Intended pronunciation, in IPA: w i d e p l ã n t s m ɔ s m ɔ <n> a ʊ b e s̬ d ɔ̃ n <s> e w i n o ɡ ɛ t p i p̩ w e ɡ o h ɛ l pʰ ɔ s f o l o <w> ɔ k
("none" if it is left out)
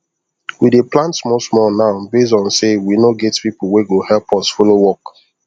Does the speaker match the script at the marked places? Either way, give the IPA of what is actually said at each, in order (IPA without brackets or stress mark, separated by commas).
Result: n, s, w